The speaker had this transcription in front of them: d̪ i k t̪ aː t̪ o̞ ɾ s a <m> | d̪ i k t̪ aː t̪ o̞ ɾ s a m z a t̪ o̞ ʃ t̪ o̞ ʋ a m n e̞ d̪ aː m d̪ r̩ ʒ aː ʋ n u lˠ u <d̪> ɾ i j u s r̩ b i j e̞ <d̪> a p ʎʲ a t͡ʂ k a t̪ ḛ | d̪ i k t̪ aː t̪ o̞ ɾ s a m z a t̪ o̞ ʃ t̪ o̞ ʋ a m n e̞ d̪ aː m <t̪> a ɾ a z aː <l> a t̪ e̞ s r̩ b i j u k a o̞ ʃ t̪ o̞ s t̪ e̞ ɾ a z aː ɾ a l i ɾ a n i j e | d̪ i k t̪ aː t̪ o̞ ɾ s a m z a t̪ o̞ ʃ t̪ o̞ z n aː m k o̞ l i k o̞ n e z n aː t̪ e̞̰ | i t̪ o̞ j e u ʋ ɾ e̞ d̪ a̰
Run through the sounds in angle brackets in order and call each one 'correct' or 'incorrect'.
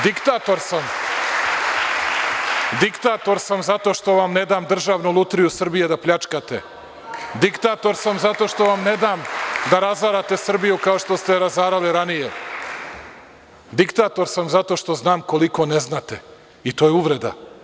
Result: correct, incorrect: t̪, correct, incorrect: d̪, incorrect: ɾ

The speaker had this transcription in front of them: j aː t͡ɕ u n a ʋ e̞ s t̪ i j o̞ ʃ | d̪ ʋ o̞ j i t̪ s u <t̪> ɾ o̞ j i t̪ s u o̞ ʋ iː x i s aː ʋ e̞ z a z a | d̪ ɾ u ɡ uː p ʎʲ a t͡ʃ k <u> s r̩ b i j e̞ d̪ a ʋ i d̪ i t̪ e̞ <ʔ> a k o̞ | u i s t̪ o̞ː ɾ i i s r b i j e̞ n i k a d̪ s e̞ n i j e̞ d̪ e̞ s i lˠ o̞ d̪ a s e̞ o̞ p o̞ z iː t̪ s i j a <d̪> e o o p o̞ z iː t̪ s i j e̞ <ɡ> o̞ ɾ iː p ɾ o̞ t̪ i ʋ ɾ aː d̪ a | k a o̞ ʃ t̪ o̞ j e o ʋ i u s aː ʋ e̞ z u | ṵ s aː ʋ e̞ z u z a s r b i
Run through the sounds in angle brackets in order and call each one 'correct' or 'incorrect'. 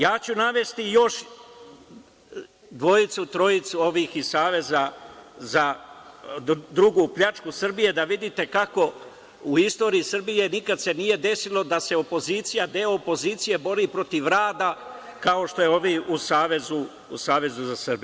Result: correct, correct, incorrect: k, correct, incorrect: b

